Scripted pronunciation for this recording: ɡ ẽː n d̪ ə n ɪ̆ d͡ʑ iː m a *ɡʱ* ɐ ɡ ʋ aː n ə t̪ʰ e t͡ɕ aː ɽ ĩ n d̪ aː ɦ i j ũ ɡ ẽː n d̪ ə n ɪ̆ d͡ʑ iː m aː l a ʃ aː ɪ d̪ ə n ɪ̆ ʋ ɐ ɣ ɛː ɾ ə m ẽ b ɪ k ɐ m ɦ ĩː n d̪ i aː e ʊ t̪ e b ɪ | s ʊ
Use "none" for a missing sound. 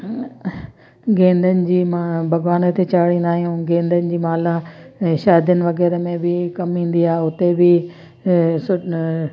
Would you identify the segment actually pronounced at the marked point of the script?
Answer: bʱ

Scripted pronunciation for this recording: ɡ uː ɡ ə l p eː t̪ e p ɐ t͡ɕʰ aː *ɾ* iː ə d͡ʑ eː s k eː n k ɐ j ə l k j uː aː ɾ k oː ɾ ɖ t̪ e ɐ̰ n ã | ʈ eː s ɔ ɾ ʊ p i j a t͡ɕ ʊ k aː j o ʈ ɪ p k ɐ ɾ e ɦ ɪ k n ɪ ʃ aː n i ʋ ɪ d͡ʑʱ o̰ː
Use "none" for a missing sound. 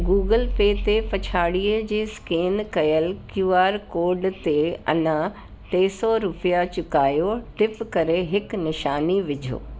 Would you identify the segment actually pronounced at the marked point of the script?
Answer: ɽ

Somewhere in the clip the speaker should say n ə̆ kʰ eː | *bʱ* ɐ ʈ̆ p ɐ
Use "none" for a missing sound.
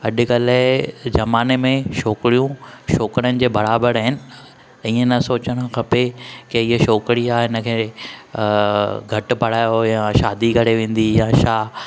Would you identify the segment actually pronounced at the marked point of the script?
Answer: ɡʱ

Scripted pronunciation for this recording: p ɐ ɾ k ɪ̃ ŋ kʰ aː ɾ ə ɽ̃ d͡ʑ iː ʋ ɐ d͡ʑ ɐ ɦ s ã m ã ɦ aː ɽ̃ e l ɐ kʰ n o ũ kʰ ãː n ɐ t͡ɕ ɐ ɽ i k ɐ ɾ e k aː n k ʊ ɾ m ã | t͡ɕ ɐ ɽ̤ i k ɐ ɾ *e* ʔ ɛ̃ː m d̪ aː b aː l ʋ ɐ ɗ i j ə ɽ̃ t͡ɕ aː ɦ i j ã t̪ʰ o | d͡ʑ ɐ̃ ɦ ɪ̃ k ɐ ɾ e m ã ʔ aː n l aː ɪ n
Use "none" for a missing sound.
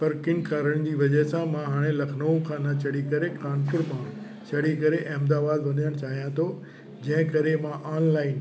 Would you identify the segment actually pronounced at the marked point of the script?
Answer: e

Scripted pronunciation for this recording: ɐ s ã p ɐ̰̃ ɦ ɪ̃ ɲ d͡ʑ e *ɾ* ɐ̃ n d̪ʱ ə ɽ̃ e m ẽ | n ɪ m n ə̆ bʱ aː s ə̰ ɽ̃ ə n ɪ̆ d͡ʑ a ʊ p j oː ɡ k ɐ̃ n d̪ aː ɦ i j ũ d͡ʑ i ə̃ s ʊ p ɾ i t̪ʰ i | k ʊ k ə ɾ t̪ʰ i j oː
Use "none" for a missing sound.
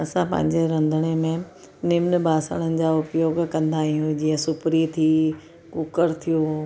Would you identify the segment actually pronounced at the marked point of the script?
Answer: ɾ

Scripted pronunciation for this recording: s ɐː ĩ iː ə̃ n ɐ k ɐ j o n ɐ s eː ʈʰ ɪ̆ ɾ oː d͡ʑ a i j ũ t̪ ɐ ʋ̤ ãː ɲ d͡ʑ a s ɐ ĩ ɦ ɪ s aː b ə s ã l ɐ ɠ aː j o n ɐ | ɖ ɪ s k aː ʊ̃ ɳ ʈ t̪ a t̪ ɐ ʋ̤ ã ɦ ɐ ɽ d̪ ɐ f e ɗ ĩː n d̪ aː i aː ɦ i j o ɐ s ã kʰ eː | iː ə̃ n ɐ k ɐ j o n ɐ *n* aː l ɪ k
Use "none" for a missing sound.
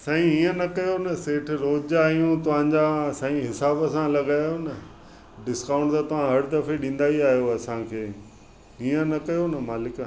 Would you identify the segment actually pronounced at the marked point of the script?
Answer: m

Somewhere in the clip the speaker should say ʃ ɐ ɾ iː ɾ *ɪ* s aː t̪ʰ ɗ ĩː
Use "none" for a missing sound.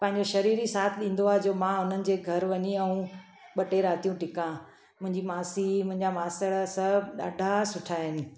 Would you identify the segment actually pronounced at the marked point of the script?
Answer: i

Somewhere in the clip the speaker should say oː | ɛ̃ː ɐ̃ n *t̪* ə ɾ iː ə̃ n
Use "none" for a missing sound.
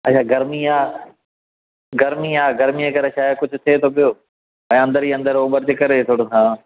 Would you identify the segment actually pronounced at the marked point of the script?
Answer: d̪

